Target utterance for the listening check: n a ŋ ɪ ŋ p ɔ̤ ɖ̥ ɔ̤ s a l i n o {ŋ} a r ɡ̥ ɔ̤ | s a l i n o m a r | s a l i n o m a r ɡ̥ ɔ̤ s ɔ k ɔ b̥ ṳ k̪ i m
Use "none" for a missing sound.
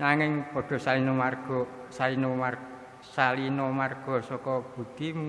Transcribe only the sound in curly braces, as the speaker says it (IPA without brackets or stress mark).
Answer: m